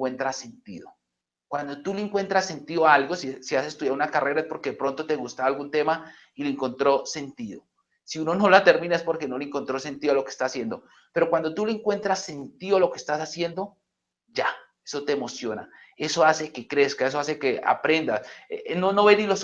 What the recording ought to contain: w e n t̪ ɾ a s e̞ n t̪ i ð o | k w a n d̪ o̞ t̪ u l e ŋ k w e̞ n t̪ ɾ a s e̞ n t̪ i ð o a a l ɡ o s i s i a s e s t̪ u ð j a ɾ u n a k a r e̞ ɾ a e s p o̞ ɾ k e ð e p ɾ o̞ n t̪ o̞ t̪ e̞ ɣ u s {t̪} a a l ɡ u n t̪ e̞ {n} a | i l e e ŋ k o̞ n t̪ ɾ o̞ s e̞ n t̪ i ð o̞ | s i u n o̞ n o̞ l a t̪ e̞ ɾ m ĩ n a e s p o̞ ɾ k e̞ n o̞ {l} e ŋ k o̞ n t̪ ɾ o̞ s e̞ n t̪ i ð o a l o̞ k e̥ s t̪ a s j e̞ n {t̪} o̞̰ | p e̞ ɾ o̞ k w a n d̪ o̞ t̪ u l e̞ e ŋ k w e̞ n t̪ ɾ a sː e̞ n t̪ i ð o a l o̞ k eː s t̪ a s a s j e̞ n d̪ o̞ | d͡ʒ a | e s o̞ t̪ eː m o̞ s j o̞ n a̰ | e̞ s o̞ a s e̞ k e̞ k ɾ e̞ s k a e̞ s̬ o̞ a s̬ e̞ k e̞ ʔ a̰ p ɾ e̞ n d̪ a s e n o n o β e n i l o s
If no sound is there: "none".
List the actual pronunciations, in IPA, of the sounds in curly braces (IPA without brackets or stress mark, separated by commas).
t̪, m, l, d̪